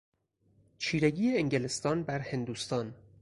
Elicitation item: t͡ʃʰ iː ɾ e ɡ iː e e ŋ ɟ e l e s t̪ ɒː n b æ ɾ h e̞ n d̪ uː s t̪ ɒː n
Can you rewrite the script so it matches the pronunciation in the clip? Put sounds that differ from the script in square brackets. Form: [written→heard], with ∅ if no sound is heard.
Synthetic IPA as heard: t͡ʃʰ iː ɾ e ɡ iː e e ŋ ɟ e l e s t̪ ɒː n b æ ɾ h e̞ n d̪ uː s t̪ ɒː n